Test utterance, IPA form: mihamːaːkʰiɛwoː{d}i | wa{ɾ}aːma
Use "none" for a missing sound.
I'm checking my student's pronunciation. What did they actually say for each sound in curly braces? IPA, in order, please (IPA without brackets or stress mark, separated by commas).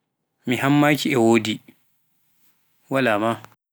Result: d, l